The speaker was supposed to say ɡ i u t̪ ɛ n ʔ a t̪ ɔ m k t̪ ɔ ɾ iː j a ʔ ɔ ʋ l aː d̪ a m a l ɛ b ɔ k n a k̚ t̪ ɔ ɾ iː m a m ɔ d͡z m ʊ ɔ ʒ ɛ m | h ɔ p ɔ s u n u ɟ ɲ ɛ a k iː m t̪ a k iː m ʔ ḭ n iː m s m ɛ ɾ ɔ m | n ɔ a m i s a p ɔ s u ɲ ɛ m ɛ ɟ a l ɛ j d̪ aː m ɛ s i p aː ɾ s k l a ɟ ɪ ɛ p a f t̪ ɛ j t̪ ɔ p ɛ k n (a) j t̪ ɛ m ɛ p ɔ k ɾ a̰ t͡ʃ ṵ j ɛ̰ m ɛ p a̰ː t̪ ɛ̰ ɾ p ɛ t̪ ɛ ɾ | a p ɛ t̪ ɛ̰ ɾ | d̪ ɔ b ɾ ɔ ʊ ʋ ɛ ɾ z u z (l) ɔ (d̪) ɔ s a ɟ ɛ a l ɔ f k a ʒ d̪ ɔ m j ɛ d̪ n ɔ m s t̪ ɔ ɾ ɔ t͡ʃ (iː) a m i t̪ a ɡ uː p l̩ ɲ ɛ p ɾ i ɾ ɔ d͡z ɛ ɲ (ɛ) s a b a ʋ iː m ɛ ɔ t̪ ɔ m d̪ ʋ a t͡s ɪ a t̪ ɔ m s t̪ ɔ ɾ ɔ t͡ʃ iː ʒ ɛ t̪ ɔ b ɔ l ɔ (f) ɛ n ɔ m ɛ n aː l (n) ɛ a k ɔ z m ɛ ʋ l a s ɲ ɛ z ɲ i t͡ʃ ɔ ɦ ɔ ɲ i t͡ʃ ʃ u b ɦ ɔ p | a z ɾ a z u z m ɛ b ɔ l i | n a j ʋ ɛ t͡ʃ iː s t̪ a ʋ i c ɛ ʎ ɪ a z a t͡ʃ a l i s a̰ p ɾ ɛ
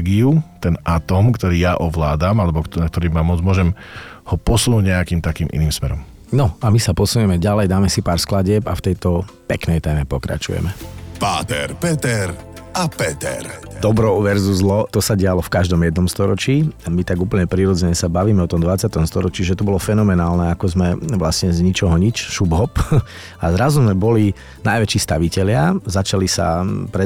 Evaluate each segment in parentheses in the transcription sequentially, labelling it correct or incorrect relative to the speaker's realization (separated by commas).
incorrect, correct, incorrect, correct, correct, correct, correct